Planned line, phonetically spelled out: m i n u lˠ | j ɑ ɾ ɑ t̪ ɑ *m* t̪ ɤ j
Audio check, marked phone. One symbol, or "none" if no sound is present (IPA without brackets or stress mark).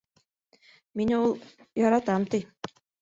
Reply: m